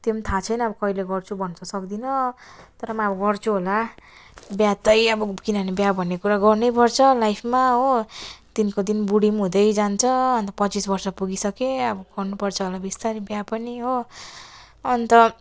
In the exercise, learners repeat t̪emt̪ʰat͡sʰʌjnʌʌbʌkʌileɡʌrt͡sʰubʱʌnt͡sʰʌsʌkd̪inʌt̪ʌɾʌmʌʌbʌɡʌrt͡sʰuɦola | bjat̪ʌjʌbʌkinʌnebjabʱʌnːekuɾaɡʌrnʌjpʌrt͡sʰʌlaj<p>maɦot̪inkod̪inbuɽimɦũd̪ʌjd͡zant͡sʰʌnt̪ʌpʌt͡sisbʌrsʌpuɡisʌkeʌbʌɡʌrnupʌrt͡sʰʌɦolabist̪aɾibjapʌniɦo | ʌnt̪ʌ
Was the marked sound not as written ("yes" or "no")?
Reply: yes